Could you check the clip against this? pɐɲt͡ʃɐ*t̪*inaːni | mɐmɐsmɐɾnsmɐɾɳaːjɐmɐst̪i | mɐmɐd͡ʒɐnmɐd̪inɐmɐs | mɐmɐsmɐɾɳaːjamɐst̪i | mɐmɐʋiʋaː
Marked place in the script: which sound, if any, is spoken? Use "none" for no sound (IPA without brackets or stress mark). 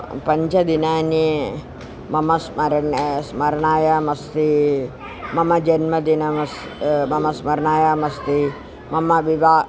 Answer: d̪